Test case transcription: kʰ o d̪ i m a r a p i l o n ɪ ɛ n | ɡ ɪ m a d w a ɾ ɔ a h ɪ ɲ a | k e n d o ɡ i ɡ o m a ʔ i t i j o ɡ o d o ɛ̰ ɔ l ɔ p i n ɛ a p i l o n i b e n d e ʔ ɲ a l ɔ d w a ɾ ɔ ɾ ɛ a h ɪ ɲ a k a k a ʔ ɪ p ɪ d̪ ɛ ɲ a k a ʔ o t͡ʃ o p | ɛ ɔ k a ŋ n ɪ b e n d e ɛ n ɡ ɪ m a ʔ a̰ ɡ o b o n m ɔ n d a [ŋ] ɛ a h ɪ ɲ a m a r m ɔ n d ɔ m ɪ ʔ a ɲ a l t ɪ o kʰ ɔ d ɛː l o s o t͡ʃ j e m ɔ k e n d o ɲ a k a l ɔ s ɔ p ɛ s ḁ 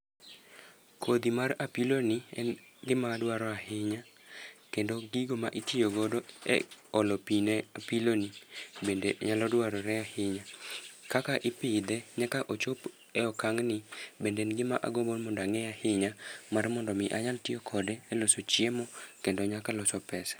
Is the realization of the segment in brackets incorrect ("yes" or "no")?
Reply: no